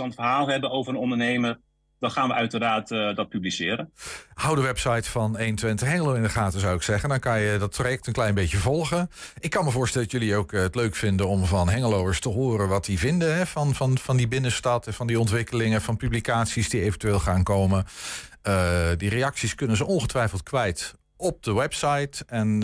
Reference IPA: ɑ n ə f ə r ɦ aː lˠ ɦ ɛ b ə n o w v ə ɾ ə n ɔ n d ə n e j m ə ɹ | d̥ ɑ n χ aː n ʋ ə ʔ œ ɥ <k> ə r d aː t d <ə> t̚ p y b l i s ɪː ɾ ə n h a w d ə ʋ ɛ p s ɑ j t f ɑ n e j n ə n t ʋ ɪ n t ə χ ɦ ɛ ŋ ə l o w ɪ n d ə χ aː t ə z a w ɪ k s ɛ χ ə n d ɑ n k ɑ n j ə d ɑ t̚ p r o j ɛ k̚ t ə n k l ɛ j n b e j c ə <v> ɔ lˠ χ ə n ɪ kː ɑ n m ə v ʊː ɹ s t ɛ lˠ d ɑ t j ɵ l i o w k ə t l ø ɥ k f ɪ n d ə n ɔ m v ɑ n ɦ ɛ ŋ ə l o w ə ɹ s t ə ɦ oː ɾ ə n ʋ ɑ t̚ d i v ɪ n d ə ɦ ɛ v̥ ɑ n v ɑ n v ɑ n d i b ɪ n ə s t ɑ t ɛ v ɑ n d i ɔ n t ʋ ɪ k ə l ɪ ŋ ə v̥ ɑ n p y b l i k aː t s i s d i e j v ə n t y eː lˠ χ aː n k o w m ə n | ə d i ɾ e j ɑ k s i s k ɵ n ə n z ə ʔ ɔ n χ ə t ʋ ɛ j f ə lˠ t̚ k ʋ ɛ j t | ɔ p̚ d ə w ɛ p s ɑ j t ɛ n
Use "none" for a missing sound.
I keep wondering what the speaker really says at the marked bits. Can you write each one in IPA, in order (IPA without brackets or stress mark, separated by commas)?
t, ɑ, v